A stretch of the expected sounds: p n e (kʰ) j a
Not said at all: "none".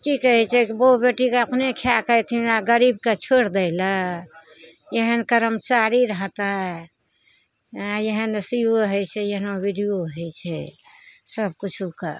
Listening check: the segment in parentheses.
kʰ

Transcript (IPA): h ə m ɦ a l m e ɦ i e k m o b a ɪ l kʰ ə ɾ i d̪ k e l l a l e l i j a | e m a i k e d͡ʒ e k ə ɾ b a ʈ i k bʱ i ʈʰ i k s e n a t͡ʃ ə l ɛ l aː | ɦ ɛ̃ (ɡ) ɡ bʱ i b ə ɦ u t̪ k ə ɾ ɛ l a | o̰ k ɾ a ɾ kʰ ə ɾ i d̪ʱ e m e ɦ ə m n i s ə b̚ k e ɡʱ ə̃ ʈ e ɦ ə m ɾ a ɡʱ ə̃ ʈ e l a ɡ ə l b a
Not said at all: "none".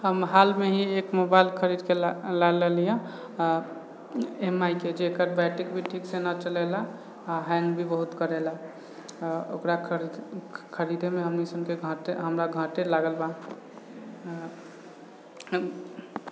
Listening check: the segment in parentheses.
ŋ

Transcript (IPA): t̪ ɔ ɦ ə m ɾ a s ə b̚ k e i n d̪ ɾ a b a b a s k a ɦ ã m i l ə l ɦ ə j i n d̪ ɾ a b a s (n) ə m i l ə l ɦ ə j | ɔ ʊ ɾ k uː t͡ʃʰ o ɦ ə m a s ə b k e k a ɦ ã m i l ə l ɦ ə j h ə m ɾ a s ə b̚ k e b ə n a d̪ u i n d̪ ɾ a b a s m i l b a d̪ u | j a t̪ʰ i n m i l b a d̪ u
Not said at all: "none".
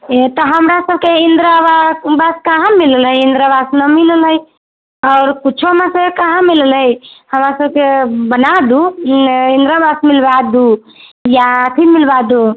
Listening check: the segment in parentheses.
n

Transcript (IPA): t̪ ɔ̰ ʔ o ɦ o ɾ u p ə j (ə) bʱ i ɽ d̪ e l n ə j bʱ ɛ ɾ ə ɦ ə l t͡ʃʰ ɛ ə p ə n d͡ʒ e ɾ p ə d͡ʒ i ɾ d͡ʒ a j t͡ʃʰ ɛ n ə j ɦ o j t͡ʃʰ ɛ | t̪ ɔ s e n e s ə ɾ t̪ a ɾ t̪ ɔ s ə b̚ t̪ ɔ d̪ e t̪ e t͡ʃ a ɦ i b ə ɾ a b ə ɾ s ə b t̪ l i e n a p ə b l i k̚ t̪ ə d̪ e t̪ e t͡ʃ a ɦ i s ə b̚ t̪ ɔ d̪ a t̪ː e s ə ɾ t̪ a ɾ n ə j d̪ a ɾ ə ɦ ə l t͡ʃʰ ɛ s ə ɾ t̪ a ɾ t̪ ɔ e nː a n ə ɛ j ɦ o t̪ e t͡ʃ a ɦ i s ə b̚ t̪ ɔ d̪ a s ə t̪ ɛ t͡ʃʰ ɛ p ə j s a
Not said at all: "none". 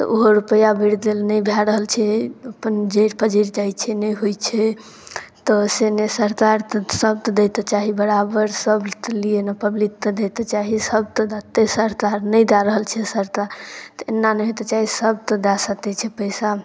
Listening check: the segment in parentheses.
a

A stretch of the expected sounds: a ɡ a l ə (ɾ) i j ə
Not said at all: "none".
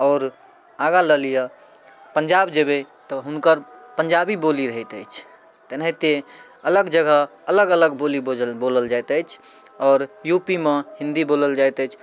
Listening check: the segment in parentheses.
l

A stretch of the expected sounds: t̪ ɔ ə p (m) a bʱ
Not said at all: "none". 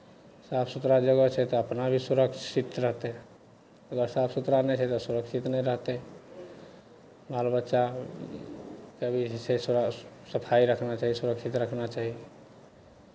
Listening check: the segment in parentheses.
n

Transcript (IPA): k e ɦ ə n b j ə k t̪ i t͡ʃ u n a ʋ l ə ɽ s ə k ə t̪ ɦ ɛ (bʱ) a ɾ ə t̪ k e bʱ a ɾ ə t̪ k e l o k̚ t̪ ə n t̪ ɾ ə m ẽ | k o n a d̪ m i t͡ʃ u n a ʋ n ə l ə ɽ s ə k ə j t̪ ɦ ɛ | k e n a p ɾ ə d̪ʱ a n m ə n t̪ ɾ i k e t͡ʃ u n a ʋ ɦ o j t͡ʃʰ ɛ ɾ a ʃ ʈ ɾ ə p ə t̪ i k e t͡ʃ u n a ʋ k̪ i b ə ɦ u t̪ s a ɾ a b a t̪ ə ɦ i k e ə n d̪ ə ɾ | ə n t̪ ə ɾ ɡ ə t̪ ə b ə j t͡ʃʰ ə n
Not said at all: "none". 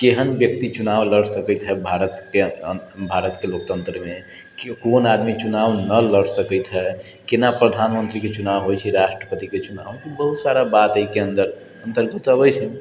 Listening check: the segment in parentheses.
bʱ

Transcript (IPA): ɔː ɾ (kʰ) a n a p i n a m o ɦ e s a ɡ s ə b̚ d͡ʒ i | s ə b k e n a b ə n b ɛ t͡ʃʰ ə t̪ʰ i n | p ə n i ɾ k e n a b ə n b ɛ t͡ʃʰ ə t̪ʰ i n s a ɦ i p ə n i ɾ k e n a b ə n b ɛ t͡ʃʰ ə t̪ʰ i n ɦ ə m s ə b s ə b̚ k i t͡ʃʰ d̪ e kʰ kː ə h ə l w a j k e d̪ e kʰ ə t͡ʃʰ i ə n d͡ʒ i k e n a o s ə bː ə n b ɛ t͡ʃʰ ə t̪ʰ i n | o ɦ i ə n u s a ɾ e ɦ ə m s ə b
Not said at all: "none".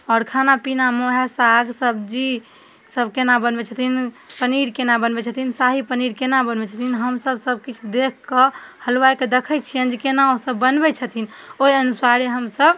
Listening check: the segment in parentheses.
kʰ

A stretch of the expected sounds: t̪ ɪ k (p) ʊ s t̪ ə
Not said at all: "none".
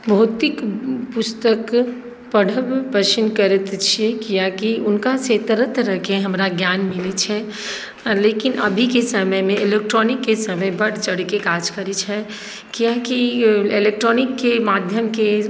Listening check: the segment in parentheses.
p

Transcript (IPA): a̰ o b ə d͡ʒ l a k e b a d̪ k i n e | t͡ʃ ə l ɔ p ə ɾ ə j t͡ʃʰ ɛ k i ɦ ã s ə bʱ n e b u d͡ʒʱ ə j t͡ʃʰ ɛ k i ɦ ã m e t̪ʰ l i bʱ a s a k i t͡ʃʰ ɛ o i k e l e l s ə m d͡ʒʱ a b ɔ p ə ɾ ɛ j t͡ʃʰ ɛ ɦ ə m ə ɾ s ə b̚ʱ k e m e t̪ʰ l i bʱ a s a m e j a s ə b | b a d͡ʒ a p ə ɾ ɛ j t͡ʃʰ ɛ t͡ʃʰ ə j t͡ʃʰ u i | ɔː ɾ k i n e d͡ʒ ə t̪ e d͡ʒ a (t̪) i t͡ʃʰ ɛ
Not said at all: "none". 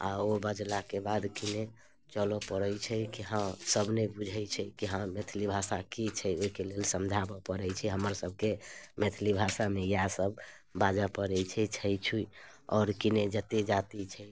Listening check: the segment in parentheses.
t̪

